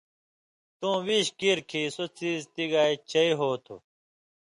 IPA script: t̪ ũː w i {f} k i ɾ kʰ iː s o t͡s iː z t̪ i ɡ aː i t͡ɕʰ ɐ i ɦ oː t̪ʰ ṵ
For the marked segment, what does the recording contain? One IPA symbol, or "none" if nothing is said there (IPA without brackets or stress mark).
ɕ